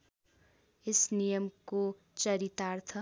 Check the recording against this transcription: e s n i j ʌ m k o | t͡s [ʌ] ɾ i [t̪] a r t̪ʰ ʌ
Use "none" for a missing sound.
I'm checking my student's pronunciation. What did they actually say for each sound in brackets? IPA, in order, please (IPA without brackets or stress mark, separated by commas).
ʌ, t̪